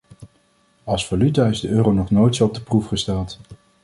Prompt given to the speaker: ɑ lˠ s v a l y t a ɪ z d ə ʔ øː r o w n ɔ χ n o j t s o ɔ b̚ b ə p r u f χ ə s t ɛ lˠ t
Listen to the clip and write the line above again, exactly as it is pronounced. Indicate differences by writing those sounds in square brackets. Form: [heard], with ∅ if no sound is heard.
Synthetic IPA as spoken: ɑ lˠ s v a l y t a ɪ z d ə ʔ øː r o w n ɔ χ n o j t s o ɔ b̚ [d] ə p r u f χ ə s t ɛ lˠ t